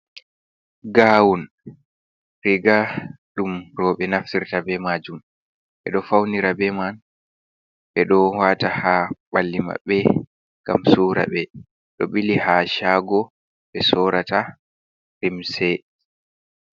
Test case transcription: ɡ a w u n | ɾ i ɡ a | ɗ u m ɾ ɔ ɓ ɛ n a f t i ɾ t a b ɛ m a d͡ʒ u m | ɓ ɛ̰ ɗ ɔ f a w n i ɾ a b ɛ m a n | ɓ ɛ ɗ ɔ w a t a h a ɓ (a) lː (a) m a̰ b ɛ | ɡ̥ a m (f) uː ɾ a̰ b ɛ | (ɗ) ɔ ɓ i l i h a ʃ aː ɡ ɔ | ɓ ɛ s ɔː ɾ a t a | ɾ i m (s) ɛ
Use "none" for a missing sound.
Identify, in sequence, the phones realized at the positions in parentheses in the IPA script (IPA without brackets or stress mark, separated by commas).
a, i, s, ɗ, s